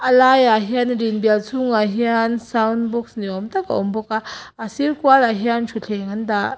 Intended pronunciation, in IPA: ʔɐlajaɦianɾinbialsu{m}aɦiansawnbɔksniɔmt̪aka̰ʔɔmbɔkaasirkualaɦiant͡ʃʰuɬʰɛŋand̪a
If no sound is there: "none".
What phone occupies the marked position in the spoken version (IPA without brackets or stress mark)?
ŋ